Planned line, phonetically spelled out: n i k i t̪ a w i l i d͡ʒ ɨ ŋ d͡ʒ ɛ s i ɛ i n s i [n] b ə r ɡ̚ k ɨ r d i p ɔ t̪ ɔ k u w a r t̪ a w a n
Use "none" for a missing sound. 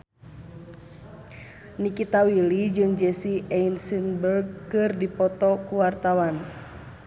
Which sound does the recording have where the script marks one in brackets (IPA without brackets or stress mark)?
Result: n